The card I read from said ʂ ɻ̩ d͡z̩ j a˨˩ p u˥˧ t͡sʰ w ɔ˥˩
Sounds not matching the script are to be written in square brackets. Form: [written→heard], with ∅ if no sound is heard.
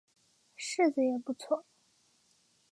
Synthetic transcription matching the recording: ʂ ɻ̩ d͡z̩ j [a˨˩→ɛ˨˩] p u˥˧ t͡sʰ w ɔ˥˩